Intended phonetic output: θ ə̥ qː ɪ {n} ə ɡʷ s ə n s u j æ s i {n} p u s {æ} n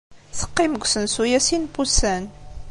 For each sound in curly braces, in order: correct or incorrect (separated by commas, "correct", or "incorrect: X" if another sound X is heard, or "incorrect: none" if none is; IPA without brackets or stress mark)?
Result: incorrect: m, correct, correct